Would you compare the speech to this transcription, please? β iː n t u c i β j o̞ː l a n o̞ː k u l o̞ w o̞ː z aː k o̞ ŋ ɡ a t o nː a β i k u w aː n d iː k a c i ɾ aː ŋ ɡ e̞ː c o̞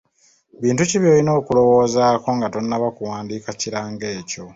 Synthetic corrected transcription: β iː n t u c i β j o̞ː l i n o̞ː k u l o̞ w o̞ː z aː k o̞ ŋ ɡ a t o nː a β a k u w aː n d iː k a c i ɾ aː ŋ ɡ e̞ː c o̞